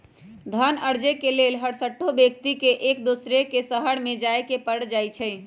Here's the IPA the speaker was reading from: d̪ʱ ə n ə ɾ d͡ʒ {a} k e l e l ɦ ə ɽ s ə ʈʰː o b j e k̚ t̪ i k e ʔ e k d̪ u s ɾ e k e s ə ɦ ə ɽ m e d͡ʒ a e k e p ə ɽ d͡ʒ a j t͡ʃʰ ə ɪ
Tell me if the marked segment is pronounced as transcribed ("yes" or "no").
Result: no